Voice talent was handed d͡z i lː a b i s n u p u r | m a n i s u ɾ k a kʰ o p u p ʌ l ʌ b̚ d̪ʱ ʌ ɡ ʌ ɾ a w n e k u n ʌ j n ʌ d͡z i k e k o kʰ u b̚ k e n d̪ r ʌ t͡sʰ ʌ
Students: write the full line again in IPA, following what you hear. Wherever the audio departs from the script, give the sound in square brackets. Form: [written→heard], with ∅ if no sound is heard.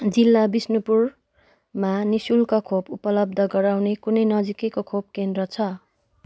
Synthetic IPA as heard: d͡z i lː a b i s n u p u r | m a n i s u [ɾ→l] k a kʰ o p u p ʌ l ʌ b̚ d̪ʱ ʌ ɡ ʌ ɾ a w n e k u n ʌ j n ʌ d͡z i k e k o kʰ [u→o] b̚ k e n d̪ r ʌ t͡sʰ ʌ